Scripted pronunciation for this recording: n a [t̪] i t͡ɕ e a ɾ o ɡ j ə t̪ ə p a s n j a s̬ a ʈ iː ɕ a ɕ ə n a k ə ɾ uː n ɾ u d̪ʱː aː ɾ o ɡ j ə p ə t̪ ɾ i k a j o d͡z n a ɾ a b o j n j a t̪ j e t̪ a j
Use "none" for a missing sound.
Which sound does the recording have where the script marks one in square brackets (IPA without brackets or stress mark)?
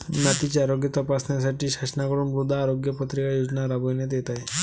t̪